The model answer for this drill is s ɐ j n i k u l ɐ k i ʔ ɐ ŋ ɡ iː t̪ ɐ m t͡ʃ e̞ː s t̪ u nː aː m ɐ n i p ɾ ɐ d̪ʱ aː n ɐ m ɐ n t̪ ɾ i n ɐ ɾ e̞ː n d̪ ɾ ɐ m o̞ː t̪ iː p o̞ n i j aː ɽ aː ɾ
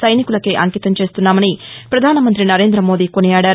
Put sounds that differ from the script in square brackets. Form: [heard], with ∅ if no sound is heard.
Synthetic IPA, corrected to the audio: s ɐ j n i k u l ɐ k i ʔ ɐ ŋ [k] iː t̪ ɐ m t͡ʃ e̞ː s t̪ u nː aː m ɐ n i p ɾ ɐ d̪ʱ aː n ɐ m ɐ n t̪ ɾ i n ɐ ɾ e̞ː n d̪ ɾ ɐ m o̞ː [d̪] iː [k] o̞ n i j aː ɽ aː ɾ

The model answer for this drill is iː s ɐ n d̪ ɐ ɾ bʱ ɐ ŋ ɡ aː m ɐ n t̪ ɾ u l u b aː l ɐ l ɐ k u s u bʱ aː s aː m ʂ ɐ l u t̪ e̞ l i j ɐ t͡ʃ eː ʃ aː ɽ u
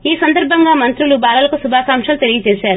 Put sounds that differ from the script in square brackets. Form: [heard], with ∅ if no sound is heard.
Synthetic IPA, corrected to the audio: iː s ɐ n d̪ ɐ ɾ bʱ ɐ ŋ ɡ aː m ɐ n t̪ ɾ u l u b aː l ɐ l ɐ k u s u bʱ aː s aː m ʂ ɐ l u t̪ e̞ l i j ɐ t͡ʃ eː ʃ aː [ɾ] u

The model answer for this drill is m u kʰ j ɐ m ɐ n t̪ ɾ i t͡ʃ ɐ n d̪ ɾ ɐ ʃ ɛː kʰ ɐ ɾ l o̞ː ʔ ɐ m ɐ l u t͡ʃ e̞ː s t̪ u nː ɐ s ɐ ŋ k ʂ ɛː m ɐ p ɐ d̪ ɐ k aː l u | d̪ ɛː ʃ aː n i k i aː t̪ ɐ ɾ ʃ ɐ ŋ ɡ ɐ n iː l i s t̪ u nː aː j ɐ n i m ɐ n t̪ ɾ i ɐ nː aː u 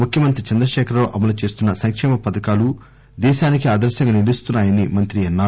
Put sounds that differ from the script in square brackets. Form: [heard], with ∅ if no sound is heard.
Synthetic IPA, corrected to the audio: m u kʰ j ɐ m ɐ n t̪ ɾ i t͡ʃ ɐ n d̪ ɾ ɐ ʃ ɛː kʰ ɐ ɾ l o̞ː ʔ ɐ m ɐ l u t͡ʃ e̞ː s t̪ u nː ɐ s ɐ ŋ k ʂ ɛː m ɐ p ɐ d̪ ɐ k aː l u | d̪ ɛː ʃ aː n i k i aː [d̪] ɐ ɾ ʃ ɐ ŋ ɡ ɐ n [i] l i s t̪ u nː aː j ɐ n i m ɐ n t̪ ɾ i ɐ nː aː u

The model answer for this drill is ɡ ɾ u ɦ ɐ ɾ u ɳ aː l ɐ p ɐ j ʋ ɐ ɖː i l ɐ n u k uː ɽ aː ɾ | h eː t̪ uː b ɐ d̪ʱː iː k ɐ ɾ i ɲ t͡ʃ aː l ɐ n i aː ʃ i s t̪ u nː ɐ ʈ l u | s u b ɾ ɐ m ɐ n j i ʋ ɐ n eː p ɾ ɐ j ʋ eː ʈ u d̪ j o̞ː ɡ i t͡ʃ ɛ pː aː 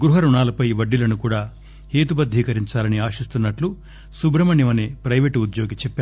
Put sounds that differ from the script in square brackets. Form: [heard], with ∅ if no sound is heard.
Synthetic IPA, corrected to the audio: ɡ ɾ u ɦ ɐ ɾ u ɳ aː l ɐ p ɐ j ʋ ɐ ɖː i l ɐ n u k uː ɽ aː [∅] | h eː t̪ [u] b ɐ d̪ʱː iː k ɐ ɾ i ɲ t͡ʃ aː l ɐ n i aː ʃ i s t̪ u nː ɐ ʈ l u | s u b ɾ ɐ m ɐ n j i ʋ ɐ n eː p ɾ ɐ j ʋ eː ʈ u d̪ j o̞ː ɡ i t͡ʃ ɛ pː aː

